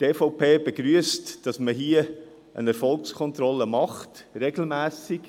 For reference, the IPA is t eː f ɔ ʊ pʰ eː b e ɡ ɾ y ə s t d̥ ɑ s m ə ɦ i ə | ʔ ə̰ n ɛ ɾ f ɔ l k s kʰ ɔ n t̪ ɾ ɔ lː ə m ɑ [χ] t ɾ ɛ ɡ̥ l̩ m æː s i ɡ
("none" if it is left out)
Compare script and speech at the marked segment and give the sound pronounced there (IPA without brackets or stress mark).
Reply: χ